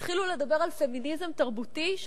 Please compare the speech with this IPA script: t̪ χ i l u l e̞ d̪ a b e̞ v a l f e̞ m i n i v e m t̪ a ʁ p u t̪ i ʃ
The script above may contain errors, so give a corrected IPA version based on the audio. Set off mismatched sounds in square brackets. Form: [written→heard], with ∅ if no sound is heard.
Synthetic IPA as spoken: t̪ χ i l u l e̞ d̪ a b e̞ [v→ʁ] a l f e̞ m i n i [v→z] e m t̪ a ʁ [p→b] u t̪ i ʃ